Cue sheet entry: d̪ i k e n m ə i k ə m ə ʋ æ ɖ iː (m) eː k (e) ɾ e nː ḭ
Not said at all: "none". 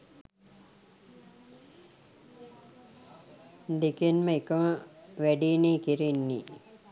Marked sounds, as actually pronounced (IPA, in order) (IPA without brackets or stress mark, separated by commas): n, i